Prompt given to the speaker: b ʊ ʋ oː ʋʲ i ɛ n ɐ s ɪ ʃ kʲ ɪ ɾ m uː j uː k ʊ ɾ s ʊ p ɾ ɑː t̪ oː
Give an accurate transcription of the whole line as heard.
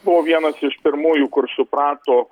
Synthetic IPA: b ʊ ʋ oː ʋʲ i ɛ n ɐ s ɪ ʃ pʲ ɪ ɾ m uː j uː k ʊ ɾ s ʊ p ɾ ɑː t̪ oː